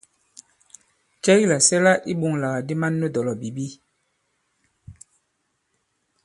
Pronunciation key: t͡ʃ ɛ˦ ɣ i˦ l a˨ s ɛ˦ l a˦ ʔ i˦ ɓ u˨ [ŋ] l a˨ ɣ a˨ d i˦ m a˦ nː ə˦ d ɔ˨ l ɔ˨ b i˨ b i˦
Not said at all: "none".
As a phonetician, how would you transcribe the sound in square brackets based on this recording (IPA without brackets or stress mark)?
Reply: ŋ